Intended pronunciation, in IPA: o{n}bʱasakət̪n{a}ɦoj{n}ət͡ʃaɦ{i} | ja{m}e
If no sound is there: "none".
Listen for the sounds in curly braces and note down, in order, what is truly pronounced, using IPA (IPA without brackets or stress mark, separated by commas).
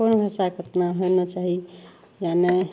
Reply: n, a, n, i, n